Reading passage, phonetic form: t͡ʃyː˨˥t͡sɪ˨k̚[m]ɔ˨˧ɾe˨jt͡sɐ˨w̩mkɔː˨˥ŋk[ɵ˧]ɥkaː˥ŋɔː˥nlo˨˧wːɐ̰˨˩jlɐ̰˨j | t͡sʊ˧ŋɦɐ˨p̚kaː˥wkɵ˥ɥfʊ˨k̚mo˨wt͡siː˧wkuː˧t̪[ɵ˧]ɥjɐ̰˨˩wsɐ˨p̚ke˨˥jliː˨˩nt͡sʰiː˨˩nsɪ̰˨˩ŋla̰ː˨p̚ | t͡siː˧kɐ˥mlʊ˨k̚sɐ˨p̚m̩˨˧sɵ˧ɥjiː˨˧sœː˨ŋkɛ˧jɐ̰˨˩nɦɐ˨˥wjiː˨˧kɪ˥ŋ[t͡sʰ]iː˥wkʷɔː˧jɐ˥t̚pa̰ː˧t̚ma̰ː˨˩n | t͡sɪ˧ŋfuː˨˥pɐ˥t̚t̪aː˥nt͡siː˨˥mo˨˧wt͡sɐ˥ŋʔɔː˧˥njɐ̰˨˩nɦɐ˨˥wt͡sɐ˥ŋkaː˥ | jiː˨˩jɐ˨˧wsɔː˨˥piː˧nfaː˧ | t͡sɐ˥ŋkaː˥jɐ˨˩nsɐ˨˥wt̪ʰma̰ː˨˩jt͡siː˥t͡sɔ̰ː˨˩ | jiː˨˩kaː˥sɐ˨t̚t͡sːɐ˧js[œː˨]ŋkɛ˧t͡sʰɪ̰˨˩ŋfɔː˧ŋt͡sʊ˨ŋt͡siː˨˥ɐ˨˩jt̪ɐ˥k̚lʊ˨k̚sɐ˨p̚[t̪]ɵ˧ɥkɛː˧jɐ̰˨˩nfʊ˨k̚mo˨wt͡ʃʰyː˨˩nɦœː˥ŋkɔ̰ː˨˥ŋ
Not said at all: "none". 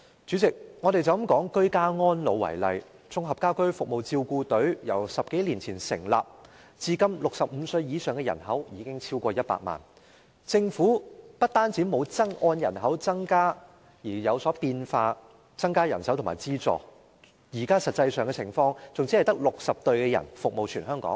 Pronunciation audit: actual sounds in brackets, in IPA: ŋ, ɵ˥, ɵ˨˥, t͡sʰ, œː˨, t̪

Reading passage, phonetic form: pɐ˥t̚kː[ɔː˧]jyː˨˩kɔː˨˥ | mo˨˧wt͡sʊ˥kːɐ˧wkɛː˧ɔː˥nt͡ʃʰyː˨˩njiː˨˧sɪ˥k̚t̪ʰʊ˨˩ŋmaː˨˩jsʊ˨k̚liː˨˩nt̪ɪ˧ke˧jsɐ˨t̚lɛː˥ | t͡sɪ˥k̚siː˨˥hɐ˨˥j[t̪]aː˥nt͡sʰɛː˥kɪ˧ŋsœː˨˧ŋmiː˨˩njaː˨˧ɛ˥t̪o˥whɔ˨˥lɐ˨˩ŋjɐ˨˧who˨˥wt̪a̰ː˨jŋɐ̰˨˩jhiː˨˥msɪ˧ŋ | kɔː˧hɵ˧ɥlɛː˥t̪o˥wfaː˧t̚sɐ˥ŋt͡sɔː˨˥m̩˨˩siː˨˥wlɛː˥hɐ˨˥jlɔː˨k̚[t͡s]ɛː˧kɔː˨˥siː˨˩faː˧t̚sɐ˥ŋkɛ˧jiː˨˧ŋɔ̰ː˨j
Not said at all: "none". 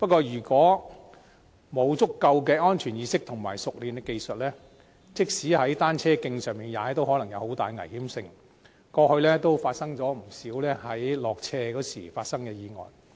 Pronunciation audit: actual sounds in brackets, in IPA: ɔː˧, t̪, t͡sʰ

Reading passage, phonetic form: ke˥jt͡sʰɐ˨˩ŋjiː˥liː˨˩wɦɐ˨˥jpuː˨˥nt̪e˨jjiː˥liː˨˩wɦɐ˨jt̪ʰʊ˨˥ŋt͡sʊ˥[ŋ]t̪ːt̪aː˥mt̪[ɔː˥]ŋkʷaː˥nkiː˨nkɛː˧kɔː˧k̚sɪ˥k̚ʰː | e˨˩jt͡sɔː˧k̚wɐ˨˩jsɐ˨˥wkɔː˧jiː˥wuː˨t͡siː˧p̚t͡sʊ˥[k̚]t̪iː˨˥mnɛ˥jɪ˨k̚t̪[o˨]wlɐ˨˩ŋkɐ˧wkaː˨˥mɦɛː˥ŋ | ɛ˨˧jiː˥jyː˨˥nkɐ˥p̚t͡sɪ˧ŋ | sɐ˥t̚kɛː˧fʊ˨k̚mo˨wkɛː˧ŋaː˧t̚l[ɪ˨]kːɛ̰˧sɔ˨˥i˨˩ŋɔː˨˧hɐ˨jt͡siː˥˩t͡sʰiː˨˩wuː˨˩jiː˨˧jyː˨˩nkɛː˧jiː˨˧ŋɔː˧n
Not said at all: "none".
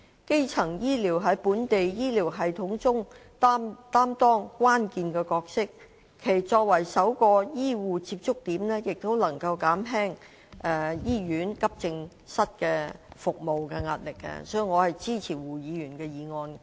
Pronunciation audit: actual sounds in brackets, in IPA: ŋ, ɔː˥, k̚, o˥, ɪ˨

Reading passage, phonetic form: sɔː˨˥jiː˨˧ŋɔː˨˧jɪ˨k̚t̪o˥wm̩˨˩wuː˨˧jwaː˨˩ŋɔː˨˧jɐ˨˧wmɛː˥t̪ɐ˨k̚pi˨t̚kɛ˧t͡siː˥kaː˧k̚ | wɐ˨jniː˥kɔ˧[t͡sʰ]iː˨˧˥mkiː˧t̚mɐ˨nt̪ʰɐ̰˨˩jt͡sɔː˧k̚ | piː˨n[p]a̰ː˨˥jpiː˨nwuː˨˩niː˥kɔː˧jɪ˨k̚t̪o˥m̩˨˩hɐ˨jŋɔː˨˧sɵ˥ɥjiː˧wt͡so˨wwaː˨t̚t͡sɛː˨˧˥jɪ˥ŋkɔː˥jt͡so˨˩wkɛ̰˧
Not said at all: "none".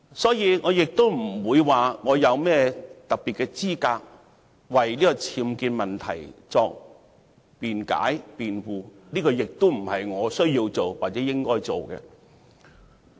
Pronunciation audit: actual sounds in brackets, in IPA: t͡sʰ, k

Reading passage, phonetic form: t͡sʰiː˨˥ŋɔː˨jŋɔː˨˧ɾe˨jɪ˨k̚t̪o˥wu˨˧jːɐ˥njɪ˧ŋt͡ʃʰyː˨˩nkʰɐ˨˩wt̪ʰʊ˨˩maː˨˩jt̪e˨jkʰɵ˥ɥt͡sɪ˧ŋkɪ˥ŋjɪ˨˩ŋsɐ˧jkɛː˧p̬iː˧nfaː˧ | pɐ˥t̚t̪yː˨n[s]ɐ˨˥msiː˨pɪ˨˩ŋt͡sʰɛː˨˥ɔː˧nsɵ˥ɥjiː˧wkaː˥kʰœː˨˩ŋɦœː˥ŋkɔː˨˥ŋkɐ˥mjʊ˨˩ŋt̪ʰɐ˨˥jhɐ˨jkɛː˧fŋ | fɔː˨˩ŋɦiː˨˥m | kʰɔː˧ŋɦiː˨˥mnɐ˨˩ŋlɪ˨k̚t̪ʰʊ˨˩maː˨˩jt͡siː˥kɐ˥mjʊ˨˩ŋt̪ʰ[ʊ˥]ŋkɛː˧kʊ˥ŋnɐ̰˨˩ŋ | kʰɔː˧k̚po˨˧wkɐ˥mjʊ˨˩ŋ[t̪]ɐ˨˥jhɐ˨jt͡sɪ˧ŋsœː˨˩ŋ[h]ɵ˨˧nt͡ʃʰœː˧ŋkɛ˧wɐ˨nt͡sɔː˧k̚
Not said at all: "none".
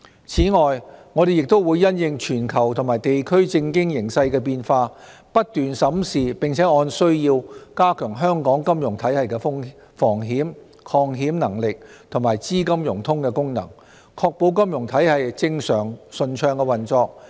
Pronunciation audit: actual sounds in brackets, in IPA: s, ʊ˥, t̪ʰ, s

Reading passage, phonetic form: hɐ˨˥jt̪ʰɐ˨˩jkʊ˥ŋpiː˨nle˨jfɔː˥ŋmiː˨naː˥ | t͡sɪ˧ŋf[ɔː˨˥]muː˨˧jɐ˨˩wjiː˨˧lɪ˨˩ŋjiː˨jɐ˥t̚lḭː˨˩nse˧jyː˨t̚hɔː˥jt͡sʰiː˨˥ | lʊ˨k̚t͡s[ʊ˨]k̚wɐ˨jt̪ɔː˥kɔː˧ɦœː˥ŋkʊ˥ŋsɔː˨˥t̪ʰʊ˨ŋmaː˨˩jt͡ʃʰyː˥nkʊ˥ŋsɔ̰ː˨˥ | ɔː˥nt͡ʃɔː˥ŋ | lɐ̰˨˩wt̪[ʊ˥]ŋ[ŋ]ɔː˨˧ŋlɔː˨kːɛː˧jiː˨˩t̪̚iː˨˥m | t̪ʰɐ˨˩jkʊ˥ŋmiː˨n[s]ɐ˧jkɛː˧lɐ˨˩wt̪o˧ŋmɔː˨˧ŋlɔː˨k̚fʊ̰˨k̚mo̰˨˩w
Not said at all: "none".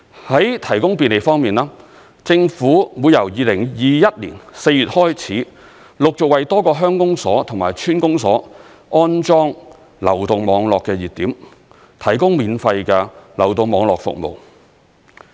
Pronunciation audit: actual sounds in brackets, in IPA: uː˨˥, ʊ˨, ʊ˨, m, f

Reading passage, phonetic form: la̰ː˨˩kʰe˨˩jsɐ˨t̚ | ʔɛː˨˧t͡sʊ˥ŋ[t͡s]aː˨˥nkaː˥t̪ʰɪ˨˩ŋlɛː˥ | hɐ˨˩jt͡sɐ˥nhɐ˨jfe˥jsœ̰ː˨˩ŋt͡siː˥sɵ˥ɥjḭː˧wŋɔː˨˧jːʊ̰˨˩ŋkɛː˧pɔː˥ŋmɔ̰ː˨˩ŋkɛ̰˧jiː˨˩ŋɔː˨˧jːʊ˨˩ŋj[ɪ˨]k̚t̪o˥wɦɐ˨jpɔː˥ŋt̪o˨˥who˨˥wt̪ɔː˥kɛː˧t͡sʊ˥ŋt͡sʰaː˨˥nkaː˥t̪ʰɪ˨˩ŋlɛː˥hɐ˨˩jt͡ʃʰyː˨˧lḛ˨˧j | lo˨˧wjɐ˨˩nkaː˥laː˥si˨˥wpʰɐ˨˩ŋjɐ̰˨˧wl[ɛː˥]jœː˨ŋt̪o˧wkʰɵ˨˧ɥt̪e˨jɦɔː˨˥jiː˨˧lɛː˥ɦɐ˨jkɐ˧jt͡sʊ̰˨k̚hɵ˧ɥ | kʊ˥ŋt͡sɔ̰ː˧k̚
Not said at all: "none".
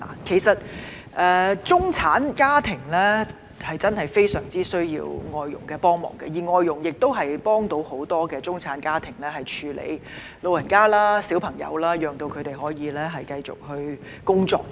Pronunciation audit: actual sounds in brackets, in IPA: t͡sʰ, ɪ˨, aː˥

